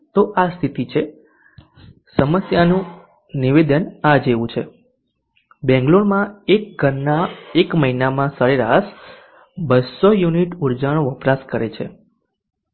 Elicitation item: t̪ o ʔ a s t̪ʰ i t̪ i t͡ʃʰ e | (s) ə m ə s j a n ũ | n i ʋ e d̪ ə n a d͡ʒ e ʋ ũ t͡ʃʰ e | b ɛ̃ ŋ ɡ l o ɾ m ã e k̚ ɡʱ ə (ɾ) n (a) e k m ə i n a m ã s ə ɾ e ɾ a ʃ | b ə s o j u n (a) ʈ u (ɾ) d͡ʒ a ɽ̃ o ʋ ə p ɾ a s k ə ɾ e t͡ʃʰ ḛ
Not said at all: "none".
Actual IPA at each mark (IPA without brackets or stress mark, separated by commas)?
s, ɾ, a, i, ɾ